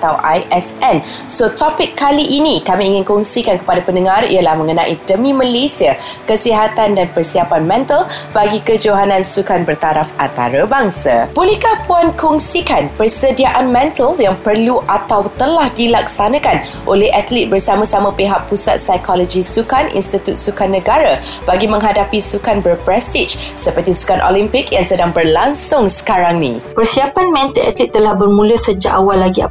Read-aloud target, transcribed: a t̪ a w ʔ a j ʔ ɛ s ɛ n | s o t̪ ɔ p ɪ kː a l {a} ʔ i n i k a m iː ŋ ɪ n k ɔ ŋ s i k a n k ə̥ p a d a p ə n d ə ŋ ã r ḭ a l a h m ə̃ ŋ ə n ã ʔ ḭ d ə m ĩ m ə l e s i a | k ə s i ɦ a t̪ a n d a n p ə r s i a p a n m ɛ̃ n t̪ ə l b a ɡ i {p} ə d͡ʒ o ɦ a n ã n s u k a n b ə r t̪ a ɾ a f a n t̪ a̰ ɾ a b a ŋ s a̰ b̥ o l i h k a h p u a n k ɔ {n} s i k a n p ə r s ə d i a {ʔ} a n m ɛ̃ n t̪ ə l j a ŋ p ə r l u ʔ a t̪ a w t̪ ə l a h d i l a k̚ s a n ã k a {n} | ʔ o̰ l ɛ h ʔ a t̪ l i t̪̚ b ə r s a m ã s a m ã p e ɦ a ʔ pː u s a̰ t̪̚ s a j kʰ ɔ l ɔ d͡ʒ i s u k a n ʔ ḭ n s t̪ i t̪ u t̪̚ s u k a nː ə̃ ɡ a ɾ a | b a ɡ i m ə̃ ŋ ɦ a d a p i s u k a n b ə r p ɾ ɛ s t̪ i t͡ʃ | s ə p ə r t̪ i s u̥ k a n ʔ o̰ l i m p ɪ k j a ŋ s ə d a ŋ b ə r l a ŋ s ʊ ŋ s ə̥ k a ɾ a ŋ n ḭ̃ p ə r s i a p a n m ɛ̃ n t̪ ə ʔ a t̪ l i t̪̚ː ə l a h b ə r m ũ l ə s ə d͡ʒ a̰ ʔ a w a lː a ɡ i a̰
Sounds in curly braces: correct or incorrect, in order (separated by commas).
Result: incorrect, incorrect, incorrect, correct, correct